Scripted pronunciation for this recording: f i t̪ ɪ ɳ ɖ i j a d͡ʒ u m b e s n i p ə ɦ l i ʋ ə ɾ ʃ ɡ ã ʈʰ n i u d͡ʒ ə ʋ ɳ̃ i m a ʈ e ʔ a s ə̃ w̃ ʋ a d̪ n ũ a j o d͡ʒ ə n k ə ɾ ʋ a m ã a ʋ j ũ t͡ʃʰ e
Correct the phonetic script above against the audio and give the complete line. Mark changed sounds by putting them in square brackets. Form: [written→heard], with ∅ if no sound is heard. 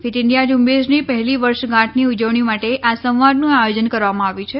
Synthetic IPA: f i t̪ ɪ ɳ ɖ i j a d͡ʒ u m b e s n i p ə ɦ l i ʋ ə ɾ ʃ ɡ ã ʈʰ n i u d͡ʒ ə ʋ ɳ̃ i m a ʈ e ʔ a s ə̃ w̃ ʋ a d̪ n ũ a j o d͡ʒ ə n k ə ɾ ʋ a m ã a ʋ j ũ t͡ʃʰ e